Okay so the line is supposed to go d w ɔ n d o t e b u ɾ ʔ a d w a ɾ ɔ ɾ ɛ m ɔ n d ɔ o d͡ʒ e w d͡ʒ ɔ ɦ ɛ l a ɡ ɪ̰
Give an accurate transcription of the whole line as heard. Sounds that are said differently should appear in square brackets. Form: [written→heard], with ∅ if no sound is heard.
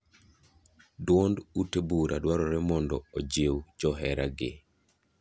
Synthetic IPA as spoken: d w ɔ n d [o→u] t e b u ɾ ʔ a d w a ɾ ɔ ɾ ɛ m ɔ n d ɔ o d͡ʒ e w d͡ʒ ɔ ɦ ɛ [l→ɾ] a ɡ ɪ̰